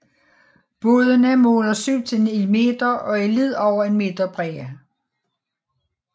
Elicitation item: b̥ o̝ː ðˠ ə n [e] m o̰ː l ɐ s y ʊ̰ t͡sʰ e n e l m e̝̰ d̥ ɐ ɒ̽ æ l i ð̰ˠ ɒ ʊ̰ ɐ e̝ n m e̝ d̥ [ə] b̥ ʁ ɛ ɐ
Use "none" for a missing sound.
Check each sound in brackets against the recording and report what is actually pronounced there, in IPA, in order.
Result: æ, ɐ

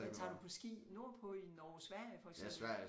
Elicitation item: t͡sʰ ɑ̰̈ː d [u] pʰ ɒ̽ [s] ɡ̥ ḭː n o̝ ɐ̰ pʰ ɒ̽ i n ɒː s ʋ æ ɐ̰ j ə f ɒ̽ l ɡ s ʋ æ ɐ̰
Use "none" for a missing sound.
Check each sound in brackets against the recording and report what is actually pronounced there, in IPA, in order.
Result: u, s

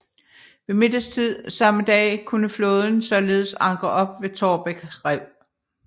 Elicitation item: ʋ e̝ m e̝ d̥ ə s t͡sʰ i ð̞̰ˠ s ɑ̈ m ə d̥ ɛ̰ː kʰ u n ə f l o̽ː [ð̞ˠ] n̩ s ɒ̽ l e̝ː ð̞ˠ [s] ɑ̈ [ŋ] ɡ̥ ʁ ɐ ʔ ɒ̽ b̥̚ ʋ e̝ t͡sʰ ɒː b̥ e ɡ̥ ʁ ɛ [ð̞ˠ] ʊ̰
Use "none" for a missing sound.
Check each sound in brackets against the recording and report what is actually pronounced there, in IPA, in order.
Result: ð̞ˠ, s, ŋ, none

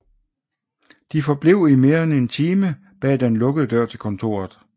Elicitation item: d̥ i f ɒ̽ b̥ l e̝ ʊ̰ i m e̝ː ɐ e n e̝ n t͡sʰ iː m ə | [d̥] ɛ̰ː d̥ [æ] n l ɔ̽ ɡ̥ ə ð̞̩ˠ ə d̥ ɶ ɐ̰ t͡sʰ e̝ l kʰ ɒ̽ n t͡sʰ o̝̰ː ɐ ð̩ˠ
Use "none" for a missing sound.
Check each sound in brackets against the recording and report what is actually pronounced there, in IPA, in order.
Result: b̥, e

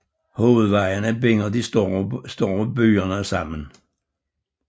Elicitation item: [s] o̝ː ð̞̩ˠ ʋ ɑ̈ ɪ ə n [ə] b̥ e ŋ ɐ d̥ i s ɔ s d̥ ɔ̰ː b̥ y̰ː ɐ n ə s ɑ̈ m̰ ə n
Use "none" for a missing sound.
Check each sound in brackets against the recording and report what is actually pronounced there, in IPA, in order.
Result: h, ə

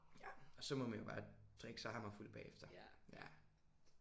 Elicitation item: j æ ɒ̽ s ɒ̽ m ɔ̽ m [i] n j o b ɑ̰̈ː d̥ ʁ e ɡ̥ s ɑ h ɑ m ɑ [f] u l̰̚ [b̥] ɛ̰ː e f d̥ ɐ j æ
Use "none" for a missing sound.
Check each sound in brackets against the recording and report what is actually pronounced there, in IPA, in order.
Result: æ, f, b̥

